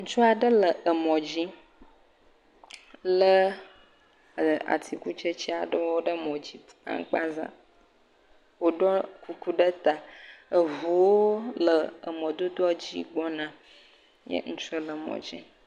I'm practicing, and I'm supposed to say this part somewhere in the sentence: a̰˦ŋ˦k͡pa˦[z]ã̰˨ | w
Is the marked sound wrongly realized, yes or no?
no